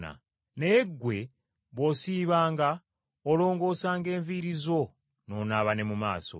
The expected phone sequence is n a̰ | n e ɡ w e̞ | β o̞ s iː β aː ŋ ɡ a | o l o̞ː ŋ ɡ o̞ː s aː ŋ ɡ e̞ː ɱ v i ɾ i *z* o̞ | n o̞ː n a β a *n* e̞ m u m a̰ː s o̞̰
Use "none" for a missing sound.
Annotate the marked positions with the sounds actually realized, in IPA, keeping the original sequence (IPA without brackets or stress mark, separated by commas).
z, n